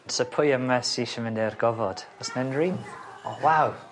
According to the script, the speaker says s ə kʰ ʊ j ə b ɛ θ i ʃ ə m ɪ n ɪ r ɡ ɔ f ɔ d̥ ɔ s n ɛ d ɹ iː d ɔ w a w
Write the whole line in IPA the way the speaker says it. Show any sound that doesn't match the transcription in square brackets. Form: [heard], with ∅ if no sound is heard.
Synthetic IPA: s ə [pʰ] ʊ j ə [m] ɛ [s] i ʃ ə m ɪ n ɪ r ɡ ɔ [v] ɔ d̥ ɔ s n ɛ [n] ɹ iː [n] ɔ w a w